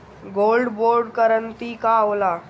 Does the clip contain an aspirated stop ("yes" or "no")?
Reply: no